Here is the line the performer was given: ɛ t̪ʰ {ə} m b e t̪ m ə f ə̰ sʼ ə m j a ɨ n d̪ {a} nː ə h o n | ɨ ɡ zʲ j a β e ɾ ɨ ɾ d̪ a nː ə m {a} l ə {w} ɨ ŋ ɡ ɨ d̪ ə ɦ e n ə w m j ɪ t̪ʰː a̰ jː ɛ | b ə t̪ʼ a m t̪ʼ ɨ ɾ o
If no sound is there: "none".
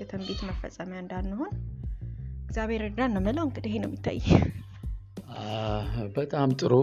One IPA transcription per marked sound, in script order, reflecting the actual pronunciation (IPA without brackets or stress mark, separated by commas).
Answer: ə, a, ə, w